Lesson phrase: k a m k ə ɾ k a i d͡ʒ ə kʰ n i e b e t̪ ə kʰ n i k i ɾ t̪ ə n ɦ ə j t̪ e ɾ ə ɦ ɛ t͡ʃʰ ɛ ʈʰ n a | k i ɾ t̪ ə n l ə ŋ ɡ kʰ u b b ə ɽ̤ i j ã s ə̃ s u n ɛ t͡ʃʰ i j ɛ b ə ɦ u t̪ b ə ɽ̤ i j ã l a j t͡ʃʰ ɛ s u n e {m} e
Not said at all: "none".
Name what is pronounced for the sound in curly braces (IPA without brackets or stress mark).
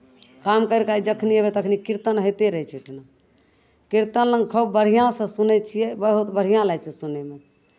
m